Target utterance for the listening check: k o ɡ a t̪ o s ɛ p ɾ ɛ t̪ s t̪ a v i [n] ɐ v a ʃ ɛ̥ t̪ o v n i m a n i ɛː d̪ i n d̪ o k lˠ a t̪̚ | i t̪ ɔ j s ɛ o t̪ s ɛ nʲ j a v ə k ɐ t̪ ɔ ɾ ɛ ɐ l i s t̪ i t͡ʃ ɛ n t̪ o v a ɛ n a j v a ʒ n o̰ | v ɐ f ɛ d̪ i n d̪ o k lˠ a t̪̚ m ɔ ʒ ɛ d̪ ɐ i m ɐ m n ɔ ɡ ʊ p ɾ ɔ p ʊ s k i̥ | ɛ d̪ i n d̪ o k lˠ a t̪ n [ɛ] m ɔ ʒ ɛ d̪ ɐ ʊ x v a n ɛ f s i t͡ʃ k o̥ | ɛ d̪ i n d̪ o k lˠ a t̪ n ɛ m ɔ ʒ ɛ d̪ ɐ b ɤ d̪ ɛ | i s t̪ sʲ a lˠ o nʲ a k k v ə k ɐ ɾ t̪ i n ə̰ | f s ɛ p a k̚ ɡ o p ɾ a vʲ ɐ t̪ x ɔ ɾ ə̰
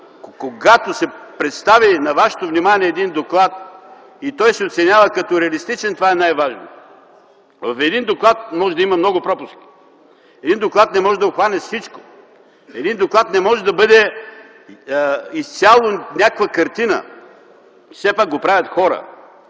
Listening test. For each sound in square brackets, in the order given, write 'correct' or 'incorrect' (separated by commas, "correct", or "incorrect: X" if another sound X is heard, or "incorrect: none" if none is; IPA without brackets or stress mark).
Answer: correct, correct